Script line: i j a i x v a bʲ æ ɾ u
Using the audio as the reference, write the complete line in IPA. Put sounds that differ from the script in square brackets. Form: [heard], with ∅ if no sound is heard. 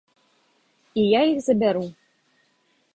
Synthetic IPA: i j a i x [z] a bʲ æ ɾ u